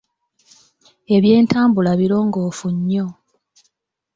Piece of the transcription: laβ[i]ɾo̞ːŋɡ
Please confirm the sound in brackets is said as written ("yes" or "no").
yes